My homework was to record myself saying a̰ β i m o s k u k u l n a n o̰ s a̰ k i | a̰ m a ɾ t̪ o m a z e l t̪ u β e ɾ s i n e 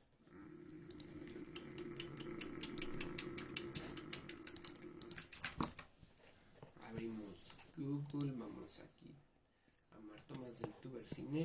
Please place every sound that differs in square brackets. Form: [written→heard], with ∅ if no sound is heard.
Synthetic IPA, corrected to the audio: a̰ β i m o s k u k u l [n→m] a [n→m] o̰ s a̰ k i | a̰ m a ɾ t̪ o m a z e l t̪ u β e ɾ s i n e